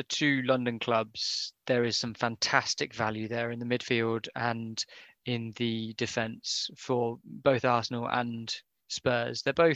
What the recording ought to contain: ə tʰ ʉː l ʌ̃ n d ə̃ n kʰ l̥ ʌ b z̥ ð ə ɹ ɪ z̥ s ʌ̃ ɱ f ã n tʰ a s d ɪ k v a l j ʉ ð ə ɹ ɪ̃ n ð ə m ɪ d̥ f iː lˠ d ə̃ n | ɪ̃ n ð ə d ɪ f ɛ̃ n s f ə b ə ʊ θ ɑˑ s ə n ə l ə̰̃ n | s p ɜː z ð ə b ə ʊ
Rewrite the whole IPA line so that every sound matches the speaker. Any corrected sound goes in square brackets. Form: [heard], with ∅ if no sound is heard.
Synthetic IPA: ə tʰ ʉː l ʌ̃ n d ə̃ n kʰ l̥ ʌ b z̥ ð ə ɹ ɪ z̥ s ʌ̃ ɱ f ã n tʰ a s [t] ɪ k v a l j ʉ ð ə ɹ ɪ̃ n ð ə m ɪ d̥ f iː lˠ d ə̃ n | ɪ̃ n ð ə d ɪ f ɛ̃ n s f ə b ə ʊ θ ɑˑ s ə n ə l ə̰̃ n | s p ɜː z ð ə b ə ʊ